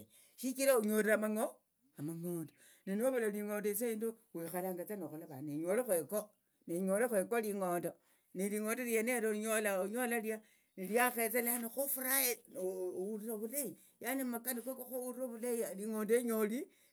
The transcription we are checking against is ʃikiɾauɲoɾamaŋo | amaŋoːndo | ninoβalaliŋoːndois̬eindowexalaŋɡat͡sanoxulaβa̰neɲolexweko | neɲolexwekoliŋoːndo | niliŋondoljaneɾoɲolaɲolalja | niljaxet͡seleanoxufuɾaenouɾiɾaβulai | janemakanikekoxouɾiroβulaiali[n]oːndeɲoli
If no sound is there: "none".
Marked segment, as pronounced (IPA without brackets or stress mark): ŋ